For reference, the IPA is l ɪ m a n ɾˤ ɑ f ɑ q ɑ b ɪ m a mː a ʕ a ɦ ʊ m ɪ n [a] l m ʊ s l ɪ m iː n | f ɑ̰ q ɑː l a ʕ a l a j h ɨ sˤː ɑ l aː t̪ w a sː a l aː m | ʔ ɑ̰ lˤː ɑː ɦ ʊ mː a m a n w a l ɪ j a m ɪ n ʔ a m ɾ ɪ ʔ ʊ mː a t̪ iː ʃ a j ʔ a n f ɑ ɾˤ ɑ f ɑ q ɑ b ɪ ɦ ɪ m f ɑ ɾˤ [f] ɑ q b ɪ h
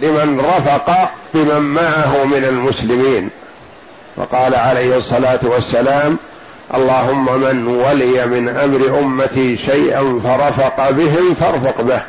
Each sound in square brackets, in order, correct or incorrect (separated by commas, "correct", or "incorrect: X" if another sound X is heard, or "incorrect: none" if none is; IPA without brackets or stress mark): correct, correct